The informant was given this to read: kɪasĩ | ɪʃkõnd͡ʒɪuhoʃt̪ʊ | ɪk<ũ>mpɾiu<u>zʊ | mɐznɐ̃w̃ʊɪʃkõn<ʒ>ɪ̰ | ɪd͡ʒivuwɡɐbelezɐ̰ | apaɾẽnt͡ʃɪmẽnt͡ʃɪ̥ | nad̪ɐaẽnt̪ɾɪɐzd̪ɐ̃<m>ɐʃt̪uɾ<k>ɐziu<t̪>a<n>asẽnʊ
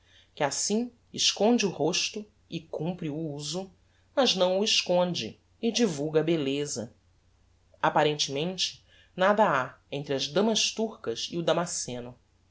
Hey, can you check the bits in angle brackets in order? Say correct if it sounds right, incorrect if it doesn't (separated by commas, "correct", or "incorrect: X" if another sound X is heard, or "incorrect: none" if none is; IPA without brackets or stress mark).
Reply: correct, correct, incorrect: d͡ʒ, correct, correct, incorrect: d̪, incorrect: m